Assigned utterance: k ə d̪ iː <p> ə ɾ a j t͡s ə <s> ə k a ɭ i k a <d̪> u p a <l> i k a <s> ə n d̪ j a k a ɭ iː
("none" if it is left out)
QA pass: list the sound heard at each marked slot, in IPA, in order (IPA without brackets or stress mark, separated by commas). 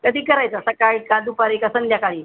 k, s, d̪, ɾ, s